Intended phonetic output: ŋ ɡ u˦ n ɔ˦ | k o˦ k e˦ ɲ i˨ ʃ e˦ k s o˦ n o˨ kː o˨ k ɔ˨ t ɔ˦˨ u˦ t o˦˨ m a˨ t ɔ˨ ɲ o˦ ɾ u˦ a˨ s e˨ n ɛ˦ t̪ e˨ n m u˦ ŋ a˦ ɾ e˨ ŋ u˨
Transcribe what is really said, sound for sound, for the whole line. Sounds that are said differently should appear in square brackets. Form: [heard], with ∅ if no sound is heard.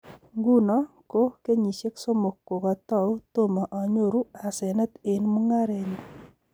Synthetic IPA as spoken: ŋ ɡ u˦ n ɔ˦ | k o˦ k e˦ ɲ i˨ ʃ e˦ k s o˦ [m] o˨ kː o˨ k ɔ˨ t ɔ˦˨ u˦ t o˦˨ m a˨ [ʔ] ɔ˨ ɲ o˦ ɾ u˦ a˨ s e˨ n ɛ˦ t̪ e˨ n m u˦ ŋ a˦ ɾ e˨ [ɲ] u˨